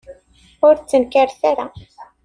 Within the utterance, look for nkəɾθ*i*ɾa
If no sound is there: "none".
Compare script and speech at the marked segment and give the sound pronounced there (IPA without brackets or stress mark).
a